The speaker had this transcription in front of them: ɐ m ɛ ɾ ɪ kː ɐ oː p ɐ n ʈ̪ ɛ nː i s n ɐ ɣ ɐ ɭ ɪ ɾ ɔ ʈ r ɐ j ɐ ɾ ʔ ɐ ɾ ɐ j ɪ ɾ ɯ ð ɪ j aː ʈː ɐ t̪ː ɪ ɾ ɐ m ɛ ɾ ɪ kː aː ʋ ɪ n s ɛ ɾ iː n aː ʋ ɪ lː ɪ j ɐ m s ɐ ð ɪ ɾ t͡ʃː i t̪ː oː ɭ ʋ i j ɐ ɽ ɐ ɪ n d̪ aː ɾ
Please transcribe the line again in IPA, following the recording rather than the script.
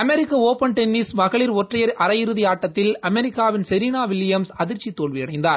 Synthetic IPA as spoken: ɐ m ɛ ɾ ɪ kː ɐ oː p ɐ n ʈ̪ ɛ nː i s m ɐ ɣ ɐ ɭ ɪ ɾ ɔ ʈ r ɐ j ɐ ɾ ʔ ɐ ɾ ɐ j ɪ ɾ ɯ ð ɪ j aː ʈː ɐ t̪ː ɪ l ɐ m ɛ ɾ ɪ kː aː ʋ ɪ n s ɛ ɾ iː n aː ʋ ɪ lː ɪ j ɐ m s ɐ ð ɪ ɾ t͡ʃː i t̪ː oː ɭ ʋ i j ɐ ɽ ɐ ɪ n d̪ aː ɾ

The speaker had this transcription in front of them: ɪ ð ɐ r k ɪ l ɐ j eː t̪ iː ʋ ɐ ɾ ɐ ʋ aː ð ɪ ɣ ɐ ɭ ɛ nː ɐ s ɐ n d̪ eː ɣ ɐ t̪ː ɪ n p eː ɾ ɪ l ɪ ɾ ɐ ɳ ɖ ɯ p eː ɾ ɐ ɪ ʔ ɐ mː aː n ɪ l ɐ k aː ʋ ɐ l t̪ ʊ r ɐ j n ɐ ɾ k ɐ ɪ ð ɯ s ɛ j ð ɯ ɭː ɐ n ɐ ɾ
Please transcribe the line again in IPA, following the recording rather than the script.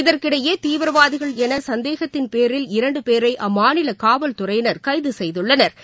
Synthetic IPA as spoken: ɪ ð ɐ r k ɪ ɽ ɐ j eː t̪ iː ʋ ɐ ɾ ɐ ʋ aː ð ɪ ɣ ɐ ɭ ɛ n ɐ s ɐ n d̪ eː ɣ ɐ t̪ː ɪ n p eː ɾ ɪ l ɪ ɾ ɐ ɳ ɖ ɯ p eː ɾ ɐ ɪ ʔ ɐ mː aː n ɪ l ɐ k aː ʋ ɐ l t̪ ʊ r ɐ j n ɐ ɾ k ɐ ɪ ð ɯ s ɛ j ð ɯ ɭː ɐ n ɐ ɾ

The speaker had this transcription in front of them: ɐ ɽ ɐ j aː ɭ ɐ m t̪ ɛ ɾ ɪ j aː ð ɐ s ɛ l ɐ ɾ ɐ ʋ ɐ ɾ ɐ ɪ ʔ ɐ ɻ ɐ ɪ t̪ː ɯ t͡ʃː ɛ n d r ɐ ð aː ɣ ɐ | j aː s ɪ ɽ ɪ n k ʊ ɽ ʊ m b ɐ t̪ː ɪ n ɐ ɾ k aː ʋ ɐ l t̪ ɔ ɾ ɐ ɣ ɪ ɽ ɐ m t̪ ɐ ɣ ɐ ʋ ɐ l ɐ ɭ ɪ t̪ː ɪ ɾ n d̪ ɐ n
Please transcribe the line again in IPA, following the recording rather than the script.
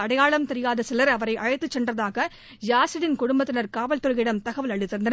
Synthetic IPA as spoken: ɐ ɽ ɐ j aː ɭ ɐ m t̪ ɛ ɾ ɪ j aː ð ɐ s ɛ l ɐ ɾ ɐ ʋ ɐ ɾ ɐ ɪ ʔ ɐ ɻ ɐ ɪ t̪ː ɯ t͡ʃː ɛ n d r ɐ ð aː ɣ ɐ | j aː s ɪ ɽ ɪ n k ʊ ɽ ʊ m b ɐ t̪ː ɪ n ɐ ɾ k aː ʋ ɐ l t̪ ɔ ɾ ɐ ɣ ɪ ɽ ɐ m t̪ ɐ ɣ ɐ ʋ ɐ l ɐ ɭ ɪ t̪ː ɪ ɾ n d̪ ɐ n

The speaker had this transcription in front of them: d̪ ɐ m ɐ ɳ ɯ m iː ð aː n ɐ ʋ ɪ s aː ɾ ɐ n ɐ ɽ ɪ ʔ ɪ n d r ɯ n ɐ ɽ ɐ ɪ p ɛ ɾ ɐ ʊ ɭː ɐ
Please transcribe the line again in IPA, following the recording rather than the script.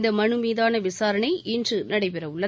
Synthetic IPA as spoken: d̪ ɐ m ɐ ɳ ɯ m iː ð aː n ɐ ʋ ɪ s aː ɾ ɐ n ɐ ɪ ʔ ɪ n d r ɯ n ɐ ɽ ɐ ɪ p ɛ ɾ ɐ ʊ ɭː ɐ

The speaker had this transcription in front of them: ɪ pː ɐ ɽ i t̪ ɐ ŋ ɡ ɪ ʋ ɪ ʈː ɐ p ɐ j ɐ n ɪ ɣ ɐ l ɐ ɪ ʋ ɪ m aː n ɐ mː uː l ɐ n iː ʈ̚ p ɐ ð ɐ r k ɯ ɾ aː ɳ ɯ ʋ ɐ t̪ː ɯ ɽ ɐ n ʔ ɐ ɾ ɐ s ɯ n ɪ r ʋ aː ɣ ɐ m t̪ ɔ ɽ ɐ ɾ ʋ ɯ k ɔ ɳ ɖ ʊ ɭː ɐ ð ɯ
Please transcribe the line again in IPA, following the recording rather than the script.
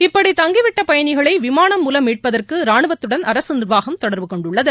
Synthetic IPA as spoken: ɪ pː ɐ ɽ i t̪ ɐ ŋ ɡ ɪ ʋ ɪ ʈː ɐ p ɐ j ɐ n ɪ ɣ ɐ ɭ ɐ ɪ ʋ ɪ m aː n ɐ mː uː l ɐ m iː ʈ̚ p ɐ ð ɐ r k ɯ ɾ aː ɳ ɯ ʋ ɐ t̪ː ɯ ɽ ɐ n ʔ ɐ ɾ ɐ s ɯ n ɪ r ʋ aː ɣ ɐ m t̪ ɔ ɽ ɐ ɾ ʋ ɯ k ɔ ɳ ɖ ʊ ɭː ɐ ð ɯ

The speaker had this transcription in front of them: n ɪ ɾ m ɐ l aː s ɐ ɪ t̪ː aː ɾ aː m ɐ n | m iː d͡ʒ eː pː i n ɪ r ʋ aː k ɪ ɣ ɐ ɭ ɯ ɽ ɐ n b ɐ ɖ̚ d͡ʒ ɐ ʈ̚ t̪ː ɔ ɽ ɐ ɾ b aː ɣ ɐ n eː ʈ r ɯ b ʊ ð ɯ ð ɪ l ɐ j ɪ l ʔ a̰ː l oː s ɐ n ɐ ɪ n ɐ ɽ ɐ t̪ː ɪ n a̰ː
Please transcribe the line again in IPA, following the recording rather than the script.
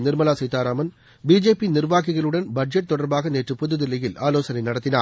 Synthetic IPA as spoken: n ɪ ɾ m ɐ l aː s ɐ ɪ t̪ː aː ɾ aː m ɐ n | b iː d͡ʒ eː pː i n ɪ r ʋ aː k ɪ ɣ ɐ ɭ ɯ ɽ ɐ n b ɐ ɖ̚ d͡ʒ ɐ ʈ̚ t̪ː ɔ ɽ ɐ ɾ b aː ɣ ɐ n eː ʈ r ɯ p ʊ ð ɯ ð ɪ l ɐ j ɪ l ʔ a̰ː l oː s ɐ n ɐ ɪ n ɐ ɽ ɐ t̪ː ɪ n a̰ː

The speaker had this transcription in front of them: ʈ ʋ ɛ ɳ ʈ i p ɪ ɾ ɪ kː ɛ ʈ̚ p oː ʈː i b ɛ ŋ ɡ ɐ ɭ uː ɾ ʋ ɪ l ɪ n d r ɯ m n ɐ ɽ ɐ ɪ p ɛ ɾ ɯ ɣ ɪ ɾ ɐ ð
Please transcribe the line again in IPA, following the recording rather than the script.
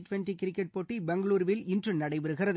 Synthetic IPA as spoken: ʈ ʋ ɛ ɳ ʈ i k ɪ ɾ ɪ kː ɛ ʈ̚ p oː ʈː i b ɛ ŋ ɡ ɐ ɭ uː ɾ ʋ ɪ l ɪ n d r ɯ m n ɐ ɽ ɐ ɪ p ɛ ɾ ɯ ɣ ɪ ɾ ɐ ð

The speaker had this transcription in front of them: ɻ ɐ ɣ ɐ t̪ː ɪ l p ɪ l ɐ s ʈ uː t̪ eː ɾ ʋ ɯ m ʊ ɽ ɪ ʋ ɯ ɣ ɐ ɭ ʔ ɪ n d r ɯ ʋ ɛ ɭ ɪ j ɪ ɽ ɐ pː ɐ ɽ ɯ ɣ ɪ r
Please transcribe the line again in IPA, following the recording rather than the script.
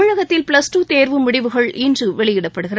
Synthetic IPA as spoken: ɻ ɐ ɣ ɐ t̪ː ɪ l p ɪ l ɐ s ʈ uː t̪ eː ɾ ʋ ɯ m ʊ ɽ ɪ ʋ ɯ ɣ ɐ ɭ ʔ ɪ n d r ɯ ʋ ɛ ɭ ɪ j ɪ ɽ ɐ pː ɐ ɽ ɯ ɣ ɪ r

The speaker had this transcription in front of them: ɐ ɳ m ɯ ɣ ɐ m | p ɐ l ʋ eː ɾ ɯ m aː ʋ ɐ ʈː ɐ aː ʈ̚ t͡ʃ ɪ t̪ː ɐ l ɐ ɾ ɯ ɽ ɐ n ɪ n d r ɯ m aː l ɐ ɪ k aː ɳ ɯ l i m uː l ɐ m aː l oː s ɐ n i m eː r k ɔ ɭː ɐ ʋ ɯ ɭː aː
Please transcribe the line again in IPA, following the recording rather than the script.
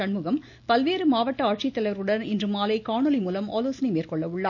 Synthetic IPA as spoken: ɐ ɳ m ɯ ɣ ɐ m | p ɐ l ʋ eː ɾ ɯ m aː ʋ ɐ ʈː ɐ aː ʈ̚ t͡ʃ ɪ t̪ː ɐ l ɐ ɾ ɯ ɽ ɐ n ɪ n d r ɯ m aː l ɐ ɪ k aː ɳ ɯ l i m uː l ɐ m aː l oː s ɐ n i m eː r k ɔ ɭː ɐ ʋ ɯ ɭː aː

